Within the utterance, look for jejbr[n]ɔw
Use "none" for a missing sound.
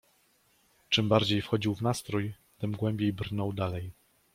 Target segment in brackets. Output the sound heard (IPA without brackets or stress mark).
n